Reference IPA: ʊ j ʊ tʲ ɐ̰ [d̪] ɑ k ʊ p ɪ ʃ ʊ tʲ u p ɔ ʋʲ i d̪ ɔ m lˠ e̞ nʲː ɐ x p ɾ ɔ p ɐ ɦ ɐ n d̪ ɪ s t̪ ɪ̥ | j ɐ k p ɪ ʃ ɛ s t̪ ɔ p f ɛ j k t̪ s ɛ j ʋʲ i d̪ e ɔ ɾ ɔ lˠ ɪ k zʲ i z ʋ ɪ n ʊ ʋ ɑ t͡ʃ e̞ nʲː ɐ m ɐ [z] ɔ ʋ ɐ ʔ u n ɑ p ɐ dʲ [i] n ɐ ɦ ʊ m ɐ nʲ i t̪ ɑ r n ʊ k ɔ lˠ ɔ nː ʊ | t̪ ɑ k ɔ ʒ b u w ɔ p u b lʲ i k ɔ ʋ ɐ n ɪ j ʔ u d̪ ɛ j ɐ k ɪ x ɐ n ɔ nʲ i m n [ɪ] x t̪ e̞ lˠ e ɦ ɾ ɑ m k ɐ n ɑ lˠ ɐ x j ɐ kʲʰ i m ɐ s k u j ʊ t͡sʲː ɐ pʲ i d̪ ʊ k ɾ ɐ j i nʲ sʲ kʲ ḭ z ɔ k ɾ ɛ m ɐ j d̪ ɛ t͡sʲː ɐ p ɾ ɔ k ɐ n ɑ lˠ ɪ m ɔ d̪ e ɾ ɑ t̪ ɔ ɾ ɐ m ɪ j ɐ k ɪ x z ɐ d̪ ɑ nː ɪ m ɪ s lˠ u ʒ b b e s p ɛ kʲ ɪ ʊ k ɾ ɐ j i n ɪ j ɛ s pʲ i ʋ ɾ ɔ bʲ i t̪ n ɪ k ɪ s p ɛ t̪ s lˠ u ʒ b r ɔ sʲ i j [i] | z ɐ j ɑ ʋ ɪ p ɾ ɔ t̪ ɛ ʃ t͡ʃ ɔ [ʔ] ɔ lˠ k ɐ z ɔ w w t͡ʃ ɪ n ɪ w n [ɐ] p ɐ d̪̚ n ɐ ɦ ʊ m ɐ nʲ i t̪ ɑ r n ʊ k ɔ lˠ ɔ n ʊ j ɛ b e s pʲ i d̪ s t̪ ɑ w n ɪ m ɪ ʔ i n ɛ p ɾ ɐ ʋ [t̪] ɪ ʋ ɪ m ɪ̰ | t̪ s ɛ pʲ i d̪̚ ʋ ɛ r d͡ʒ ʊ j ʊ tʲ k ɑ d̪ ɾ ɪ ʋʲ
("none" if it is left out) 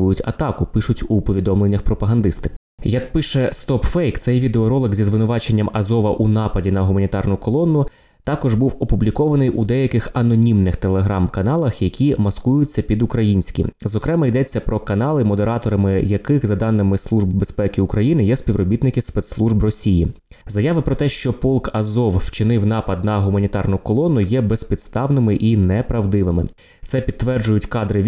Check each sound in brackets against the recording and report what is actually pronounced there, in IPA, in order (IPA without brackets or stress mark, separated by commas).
t̪, z, i, ɪ, i, p, ɑ, d̪